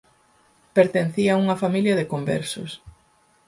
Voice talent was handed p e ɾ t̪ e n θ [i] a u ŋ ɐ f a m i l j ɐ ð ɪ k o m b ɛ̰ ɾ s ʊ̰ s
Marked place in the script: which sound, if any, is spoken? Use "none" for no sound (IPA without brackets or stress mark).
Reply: i